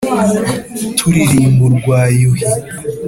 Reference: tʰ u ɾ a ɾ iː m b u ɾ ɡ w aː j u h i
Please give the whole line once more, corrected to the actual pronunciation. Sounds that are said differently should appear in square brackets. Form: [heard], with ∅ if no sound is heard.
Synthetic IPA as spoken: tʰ u ɾ [i] ɾ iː m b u ɾ ɡ w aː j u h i